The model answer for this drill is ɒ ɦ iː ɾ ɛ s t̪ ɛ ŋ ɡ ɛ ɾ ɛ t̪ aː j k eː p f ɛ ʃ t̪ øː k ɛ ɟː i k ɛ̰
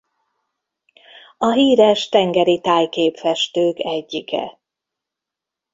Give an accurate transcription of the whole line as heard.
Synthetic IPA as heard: ɒ ɦ iː ɾ ɛ ʃ t̪ ɛ ŋ ɡ ɛ ɾ i t̪ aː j k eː p f ɛ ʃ t̪ øː k ɛ ɟː i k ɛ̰